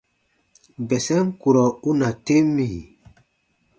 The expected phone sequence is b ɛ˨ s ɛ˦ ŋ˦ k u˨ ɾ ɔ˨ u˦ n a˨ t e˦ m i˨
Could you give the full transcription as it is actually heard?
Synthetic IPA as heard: b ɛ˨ s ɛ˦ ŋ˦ k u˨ ɾ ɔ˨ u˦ n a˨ t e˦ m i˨